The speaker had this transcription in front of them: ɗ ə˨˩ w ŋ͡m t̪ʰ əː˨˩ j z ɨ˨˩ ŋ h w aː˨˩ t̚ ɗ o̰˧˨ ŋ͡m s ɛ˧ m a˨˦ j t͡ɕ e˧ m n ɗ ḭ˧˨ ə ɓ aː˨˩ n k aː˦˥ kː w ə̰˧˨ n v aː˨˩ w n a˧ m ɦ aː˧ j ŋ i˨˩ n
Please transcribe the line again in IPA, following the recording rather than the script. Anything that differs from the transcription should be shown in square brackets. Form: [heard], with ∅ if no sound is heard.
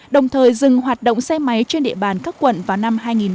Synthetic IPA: ɗ ə˨˩ w ŋ͡m t̪ʰ əː˨˩ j z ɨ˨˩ ŋ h w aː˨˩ t̚ ɗ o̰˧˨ ŋ͡m s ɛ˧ m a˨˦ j t͡ɕ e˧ [∅] n ɗ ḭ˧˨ ə ɓ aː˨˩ n k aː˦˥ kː w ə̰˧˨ n v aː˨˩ w n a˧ m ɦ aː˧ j ŋ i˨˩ n